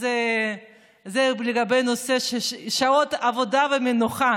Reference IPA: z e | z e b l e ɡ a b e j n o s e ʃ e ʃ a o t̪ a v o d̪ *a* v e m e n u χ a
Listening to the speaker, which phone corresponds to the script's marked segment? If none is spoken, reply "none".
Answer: a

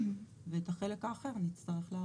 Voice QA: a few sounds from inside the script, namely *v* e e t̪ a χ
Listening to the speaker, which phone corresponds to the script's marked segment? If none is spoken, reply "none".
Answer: v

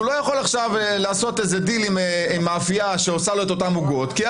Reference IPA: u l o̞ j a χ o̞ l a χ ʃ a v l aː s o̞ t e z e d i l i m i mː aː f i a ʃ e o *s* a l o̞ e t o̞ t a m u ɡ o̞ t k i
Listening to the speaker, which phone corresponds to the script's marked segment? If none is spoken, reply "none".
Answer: s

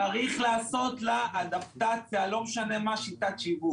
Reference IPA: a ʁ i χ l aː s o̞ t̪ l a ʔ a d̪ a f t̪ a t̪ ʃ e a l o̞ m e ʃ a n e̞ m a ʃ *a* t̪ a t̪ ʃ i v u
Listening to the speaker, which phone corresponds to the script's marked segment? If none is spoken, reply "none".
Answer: i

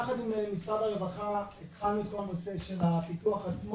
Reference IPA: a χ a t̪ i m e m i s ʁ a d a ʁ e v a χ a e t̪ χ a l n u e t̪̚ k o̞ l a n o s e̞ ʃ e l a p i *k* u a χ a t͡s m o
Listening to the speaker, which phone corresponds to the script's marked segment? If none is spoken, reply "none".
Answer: t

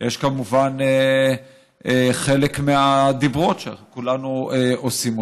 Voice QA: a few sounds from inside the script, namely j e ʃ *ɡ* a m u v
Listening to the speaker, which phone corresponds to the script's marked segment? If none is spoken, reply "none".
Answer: k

